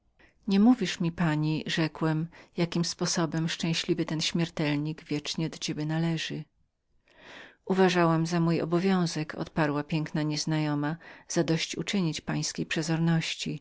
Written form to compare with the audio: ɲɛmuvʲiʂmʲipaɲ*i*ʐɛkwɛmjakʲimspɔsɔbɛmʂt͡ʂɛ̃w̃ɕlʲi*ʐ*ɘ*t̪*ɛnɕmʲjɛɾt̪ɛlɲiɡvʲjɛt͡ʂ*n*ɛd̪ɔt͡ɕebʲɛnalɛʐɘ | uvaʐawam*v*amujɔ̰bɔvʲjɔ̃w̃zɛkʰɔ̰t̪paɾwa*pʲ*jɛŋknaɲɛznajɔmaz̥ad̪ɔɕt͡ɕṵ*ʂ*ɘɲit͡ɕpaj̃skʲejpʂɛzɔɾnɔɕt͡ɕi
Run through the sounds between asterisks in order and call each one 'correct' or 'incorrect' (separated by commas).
correct, incorrect, correct, incorrect, incorrect, correct, incorrect